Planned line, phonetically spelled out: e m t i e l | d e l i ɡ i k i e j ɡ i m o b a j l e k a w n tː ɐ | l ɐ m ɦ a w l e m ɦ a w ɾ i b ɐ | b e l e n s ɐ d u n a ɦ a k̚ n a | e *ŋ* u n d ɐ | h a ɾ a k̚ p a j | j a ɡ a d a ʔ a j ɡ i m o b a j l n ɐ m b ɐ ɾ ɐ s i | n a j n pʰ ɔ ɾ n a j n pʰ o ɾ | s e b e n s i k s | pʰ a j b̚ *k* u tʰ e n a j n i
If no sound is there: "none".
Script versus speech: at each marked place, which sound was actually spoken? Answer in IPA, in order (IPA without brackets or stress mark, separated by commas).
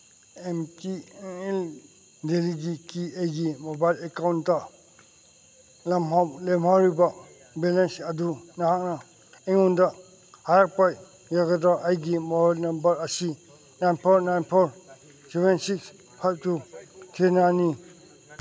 ŋ, t